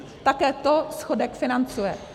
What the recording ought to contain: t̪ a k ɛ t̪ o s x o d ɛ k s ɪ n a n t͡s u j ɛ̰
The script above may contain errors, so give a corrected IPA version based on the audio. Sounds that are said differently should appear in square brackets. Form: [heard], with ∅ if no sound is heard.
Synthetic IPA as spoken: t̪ a k [ɛː] t̪ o s x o d ɛ k [f] ɪ n a n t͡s u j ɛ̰